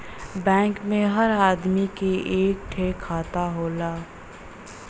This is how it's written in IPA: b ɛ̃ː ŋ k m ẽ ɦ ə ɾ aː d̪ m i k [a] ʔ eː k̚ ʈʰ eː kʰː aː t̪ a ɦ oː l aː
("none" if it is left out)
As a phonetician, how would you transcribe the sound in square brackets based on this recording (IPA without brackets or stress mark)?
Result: e